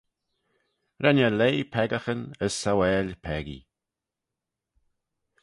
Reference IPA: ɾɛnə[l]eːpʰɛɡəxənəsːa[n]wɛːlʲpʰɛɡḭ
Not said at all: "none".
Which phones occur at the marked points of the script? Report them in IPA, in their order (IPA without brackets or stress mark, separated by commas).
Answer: l, none